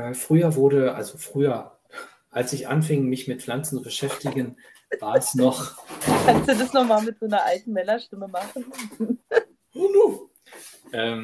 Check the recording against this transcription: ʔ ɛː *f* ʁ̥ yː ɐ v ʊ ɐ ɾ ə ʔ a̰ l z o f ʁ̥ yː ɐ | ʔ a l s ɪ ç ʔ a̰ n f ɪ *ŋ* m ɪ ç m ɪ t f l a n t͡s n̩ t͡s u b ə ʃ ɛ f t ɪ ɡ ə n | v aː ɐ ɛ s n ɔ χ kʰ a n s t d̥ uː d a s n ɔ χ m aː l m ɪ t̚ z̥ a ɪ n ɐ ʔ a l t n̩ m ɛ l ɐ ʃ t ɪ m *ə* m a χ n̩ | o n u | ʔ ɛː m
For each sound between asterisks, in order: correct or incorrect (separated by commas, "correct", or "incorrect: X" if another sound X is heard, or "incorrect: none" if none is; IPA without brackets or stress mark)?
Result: correct, correct, correct